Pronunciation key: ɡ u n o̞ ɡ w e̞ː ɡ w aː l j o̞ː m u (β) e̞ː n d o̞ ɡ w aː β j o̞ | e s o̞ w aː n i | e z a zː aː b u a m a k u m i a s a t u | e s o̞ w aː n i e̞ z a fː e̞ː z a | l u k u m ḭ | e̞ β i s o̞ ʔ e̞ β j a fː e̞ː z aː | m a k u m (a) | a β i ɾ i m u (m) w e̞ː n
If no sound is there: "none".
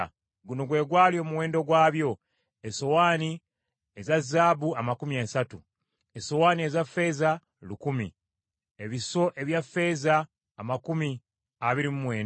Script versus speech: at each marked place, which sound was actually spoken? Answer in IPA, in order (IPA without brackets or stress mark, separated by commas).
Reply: w, i, m